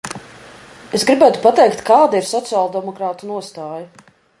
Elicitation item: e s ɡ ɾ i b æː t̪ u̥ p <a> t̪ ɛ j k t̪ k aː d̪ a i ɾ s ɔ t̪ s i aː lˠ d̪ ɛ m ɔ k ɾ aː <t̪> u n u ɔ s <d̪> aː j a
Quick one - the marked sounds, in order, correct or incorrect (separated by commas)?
correct, correct, incorrect